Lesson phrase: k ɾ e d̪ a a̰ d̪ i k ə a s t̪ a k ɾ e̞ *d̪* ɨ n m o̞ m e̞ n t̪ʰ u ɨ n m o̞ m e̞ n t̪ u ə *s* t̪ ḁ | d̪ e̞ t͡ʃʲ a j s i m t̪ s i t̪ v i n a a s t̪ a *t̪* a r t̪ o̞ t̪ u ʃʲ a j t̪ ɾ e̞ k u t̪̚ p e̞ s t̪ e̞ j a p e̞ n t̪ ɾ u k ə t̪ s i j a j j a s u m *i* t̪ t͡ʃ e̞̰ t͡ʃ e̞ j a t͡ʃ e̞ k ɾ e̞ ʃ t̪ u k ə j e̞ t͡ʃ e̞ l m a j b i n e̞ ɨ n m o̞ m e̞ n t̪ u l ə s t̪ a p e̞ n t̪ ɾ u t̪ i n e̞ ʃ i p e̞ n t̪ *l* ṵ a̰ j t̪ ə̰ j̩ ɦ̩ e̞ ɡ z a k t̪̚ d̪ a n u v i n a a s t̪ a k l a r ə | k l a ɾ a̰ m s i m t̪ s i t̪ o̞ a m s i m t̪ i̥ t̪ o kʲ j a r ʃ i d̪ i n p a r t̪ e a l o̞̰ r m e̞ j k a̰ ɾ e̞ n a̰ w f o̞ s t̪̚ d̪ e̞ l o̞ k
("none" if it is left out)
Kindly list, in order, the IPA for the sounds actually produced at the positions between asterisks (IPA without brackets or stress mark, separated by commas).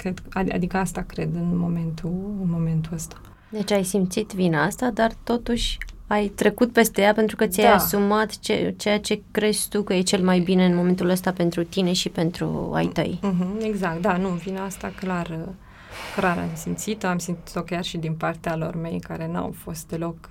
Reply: d̪, s, d̪, a, ɾ